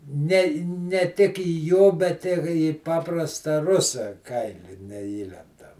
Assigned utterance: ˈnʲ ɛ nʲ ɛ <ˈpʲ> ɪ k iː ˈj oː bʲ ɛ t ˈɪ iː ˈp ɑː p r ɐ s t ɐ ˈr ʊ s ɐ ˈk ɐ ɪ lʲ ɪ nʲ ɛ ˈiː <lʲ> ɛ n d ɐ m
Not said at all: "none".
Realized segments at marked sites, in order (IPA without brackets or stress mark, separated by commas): tʲ, lʲ